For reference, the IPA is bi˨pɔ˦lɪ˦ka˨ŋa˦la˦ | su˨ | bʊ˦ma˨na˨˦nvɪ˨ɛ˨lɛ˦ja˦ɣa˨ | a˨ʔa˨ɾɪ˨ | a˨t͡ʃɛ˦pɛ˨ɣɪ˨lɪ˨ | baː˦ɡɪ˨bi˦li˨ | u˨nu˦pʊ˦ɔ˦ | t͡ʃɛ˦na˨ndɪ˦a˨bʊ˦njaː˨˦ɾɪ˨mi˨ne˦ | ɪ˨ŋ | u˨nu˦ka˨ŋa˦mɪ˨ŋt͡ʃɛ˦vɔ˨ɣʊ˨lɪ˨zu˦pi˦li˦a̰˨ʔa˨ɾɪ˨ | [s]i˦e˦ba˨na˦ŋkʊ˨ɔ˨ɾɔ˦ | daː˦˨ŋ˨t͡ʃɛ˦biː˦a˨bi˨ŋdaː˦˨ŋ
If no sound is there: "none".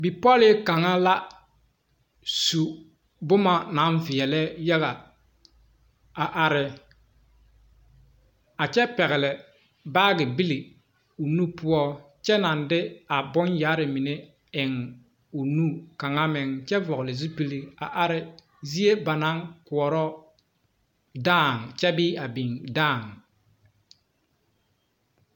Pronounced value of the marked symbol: z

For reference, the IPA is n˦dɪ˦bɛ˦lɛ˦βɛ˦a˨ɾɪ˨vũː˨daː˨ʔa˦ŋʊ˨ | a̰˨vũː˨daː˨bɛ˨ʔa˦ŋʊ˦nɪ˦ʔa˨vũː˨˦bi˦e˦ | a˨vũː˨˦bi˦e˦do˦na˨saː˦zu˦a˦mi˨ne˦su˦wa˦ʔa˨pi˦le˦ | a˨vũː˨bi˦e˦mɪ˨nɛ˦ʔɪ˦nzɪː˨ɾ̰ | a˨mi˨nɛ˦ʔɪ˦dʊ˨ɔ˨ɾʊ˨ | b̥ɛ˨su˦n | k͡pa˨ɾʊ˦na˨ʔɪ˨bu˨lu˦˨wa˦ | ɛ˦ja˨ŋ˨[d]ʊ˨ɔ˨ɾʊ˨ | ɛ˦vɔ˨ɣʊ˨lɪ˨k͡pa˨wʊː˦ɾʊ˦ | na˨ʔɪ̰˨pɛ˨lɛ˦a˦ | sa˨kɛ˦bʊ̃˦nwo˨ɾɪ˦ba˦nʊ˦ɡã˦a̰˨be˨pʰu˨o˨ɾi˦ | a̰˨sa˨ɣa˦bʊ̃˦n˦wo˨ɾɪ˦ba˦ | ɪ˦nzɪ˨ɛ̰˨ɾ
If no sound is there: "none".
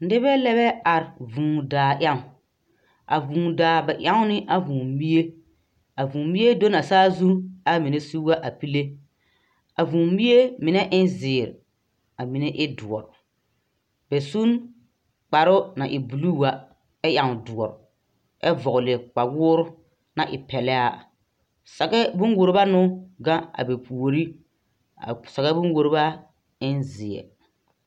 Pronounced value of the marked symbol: d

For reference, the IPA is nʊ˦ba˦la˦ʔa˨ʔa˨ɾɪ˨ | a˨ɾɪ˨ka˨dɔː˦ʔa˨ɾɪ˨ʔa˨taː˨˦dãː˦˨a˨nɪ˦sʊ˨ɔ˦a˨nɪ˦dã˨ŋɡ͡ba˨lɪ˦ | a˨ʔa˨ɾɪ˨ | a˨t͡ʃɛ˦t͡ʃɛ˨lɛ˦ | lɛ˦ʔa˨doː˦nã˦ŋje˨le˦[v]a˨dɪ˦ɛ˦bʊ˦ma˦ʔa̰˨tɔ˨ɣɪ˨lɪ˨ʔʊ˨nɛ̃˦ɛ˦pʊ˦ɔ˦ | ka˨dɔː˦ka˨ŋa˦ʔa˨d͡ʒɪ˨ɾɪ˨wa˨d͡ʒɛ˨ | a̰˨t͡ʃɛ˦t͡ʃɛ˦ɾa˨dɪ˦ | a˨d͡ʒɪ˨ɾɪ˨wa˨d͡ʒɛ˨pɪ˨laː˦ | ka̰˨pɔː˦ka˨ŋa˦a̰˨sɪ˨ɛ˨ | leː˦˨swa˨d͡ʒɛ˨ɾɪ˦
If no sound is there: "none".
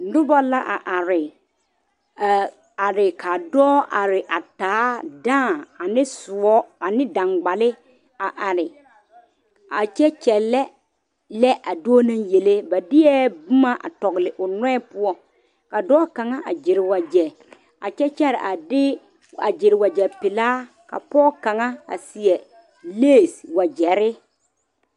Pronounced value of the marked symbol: b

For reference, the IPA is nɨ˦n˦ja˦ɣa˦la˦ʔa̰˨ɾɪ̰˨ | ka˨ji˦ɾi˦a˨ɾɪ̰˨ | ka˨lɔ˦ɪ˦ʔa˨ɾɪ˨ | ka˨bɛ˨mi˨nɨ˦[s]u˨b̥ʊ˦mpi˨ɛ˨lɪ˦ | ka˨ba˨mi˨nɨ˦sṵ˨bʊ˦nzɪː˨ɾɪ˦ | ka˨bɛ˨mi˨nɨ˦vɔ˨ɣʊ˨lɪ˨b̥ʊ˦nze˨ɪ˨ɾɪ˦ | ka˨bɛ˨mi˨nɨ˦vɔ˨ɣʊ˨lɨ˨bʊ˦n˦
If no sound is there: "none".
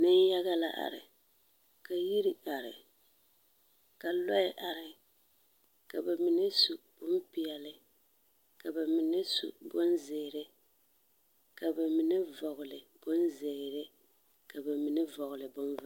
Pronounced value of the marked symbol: s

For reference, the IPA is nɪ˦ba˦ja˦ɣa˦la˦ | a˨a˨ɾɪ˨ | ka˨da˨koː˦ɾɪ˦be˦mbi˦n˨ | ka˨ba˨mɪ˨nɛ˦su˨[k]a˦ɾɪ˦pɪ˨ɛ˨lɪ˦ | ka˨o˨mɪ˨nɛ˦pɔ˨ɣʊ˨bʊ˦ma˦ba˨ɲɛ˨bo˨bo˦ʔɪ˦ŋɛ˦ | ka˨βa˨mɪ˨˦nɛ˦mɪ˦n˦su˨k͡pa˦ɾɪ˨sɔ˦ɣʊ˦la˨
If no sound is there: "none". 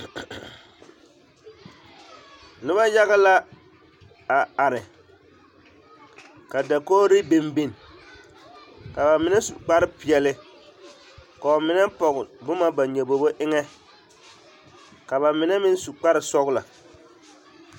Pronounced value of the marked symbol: k͡p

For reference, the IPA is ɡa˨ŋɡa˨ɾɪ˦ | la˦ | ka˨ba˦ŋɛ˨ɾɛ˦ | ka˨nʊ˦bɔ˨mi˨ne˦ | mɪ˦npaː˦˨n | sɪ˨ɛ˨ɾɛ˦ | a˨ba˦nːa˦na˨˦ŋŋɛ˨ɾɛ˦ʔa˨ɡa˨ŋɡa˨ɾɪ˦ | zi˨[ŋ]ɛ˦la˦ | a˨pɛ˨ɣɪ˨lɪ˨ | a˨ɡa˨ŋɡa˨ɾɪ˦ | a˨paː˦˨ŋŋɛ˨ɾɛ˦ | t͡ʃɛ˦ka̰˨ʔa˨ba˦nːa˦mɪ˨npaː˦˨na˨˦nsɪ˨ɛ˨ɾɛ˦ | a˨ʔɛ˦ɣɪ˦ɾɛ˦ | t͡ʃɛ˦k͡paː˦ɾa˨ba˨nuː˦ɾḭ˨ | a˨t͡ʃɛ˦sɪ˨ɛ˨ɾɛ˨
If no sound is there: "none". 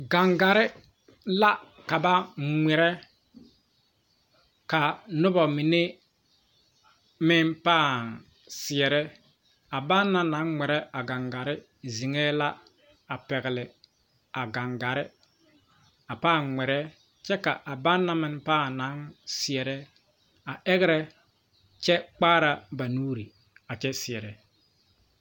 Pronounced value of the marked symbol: ŋ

